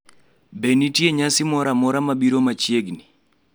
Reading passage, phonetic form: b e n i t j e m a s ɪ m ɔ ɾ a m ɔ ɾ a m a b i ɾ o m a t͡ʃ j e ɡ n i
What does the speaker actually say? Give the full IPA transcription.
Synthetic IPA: b e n i t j e ɲ a s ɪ m ɔ ɾ a m ɔ ɾ a m a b i ɾ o m a t͡ʃ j e ɡ n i